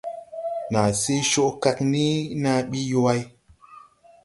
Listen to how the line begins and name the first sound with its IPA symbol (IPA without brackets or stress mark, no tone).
n